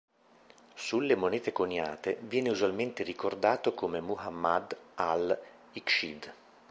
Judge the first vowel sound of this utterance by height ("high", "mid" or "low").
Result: high